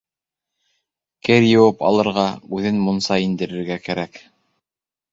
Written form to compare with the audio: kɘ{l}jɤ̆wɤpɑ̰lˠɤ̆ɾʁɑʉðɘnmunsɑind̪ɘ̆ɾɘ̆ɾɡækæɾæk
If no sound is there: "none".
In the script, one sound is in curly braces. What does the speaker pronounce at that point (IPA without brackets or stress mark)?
ɾ